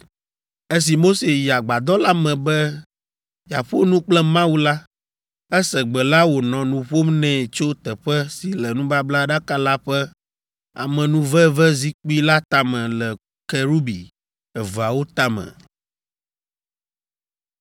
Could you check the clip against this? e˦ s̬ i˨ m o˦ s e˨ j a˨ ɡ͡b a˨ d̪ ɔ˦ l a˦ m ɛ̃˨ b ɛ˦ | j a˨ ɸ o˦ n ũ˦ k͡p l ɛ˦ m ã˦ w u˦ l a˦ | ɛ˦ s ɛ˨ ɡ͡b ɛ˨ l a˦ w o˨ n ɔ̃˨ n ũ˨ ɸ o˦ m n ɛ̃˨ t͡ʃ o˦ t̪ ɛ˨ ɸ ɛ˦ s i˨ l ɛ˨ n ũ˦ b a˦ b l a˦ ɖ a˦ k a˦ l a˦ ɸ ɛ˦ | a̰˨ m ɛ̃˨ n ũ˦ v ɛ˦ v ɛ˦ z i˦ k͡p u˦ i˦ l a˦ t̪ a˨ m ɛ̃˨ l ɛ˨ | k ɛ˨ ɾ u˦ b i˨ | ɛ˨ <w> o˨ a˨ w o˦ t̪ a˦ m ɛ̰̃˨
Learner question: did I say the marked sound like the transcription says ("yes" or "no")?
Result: no